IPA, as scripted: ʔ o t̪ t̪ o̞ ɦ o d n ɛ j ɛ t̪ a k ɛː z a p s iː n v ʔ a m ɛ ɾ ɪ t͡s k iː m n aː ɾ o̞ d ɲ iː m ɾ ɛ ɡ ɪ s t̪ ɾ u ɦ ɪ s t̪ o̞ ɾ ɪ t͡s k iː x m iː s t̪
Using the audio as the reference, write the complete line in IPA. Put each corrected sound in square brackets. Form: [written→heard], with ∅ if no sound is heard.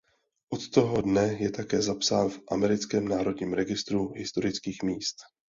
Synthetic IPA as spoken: ʔ o t̪ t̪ o̞ ɦ o d n ɛ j ɛ t̪ a k ɛː z a p s [iː→aː] n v ʔ a m ɛ ɾ ɪ t͡s k [iː→ɛː] m n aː ɾ o̞ d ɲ iː m ɾ ɛ ɡ ɪ s t̪ ɾ u ɦ ɪ s t̪ o̞ ɾ ɪ t͡s k iː x m iː s t̪